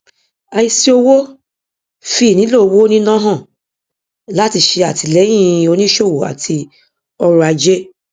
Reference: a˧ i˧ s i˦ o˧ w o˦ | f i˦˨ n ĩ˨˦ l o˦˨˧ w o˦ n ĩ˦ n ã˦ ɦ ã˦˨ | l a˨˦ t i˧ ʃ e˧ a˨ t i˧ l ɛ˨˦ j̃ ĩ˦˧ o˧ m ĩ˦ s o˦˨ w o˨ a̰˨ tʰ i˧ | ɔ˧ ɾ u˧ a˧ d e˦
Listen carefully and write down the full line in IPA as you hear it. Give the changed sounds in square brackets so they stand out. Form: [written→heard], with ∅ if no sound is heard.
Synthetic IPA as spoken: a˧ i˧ s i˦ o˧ w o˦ | f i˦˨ n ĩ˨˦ l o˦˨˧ w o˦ n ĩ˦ n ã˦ ɦ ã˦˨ | l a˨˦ t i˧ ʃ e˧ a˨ t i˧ l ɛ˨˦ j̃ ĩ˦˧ o˧ [m→n] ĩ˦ [s→ʃ] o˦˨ w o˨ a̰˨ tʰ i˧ | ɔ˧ ɾ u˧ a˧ [d→d͡ʒ] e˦

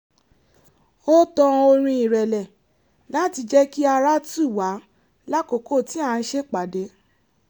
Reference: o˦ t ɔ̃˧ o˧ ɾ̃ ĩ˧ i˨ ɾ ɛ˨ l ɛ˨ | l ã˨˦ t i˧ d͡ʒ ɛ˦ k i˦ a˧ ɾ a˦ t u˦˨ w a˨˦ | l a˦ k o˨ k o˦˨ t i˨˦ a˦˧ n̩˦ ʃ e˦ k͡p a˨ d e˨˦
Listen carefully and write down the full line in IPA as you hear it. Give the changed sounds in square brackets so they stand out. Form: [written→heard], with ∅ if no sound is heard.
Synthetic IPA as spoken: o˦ t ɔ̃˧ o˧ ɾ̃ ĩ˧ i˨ ɾ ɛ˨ l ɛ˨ | l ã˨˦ t i˧ d͡ʒ ɛ˦ k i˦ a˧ ɾ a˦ t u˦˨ w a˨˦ | l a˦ k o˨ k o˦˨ t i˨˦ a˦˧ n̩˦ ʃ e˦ k͡p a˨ d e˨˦

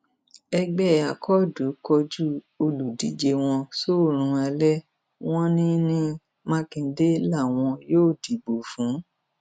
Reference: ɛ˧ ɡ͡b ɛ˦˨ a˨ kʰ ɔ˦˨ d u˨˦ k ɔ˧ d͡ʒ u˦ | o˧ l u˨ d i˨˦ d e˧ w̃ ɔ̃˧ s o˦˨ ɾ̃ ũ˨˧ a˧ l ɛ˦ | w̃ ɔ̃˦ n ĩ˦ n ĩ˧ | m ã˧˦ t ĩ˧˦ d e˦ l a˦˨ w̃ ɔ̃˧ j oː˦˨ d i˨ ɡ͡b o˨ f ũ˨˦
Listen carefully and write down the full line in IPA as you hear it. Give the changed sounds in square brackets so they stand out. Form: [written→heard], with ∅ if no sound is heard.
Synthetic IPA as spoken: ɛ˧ ɡ͡b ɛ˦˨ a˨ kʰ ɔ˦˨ d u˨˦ k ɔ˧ d͡ʒ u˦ | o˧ l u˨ d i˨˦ [d→d͡ʒ] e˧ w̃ ɔ̃˧ s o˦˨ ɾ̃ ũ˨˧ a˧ l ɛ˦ | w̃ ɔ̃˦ n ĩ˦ n ĩ˧ | m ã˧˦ [t→k] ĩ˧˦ d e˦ l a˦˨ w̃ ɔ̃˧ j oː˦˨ d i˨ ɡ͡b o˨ f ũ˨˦

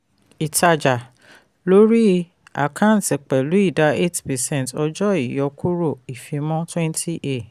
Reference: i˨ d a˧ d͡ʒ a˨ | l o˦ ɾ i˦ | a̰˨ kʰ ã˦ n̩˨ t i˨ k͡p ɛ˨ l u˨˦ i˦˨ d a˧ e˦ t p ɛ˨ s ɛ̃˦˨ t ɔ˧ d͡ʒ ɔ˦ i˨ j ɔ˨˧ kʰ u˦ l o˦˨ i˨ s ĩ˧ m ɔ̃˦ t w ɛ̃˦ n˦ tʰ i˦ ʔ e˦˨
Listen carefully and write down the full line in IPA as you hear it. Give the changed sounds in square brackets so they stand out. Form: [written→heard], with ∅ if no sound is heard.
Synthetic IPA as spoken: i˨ [d→t] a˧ d͡ʒ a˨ | l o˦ ɾ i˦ | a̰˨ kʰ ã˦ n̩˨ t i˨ k͡p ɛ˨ l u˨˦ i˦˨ d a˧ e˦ t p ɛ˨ s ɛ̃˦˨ t ɔ˧ d͡ʒ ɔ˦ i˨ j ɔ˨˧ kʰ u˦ [l→ɾ] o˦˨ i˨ [s→f] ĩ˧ m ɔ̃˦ t w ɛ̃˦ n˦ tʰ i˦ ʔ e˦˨

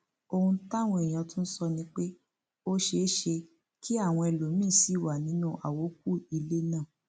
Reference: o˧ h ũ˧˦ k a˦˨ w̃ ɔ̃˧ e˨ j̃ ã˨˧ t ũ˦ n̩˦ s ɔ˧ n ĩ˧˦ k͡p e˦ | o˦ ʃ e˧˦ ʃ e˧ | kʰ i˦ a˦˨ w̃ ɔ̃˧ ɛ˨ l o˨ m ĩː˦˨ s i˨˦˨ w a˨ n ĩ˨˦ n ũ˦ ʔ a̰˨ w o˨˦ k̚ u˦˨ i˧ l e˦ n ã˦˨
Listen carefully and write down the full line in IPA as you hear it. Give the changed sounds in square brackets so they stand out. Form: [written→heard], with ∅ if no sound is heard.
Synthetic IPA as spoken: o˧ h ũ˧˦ [k→t] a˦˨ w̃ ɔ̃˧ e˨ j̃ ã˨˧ t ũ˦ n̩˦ s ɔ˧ n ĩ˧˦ k͡p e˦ | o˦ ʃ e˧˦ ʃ e˧ | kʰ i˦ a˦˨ w̃ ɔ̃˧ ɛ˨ l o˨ m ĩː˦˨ s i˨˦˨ w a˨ n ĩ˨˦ n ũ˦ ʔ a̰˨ w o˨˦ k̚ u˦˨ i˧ l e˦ n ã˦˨

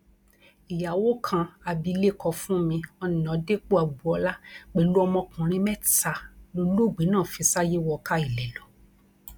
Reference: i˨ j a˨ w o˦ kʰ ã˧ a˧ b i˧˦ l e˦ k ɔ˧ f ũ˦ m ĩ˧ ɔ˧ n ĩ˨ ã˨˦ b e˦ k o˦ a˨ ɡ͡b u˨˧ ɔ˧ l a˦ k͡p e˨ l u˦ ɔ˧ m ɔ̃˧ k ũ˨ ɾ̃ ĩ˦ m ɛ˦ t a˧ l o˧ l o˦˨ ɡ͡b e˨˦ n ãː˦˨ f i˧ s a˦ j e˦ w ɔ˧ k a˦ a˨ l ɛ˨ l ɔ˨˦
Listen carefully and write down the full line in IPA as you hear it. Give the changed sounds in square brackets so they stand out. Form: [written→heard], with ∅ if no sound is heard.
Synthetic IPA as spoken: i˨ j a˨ w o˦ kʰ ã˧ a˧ b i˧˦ l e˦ k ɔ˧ f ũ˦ m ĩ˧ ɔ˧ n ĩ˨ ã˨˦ [b→d] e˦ [k→k͡p] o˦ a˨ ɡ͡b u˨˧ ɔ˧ l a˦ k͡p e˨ l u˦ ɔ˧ m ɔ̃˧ k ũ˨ ɾ̃ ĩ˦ m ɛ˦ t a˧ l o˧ l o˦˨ ɡ͡b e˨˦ n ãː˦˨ f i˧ s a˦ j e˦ w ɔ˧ k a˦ [a˨→i˨] l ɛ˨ l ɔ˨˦

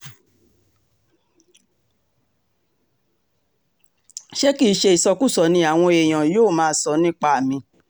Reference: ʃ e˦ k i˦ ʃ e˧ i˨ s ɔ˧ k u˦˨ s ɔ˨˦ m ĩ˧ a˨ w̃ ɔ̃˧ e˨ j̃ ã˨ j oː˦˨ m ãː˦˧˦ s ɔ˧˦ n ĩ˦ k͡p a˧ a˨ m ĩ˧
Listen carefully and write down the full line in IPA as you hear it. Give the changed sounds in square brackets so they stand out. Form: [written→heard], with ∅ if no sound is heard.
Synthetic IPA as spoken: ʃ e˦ k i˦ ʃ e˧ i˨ s ɔ˧ k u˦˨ s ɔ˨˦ [m→n] ĩ˧ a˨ w̃ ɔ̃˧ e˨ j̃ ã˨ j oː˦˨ m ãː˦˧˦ s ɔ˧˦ n ĩ˦ k͡p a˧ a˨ m ĩ˧

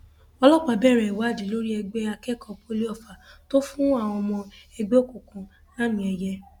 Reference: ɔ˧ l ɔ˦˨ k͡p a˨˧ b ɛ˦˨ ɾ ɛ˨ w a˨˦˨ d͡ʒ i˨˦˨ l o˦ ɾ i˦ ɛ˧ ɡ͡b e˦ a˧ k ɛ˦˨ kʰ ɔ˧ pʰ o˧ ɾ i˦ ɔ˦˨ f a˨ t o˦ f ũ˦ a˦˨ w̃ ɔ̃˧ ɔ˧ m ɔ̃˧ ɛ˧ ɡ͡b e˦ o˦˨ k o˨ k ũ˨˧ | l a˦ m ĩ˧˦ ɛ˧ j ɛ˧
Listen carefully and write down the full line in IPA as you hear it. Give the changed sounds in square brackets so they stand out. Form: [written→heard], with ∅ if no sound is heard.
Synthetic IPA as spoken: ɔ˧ l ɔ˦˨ k͡p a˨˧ b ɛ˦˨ ɾ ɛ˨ w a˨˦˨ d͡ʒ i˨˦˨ l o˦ ɾ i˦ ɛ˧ ɡ͡b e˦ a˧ k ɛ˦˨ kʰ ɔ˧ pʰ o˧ [ɾ→l] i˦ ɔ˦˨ f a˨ t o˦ f ũ˦ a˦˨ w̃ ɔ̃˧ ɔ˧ m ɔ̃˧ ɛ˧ ɡ͡b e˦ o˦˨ k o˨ k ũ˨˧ | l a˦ m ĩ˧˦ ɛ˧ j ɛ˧

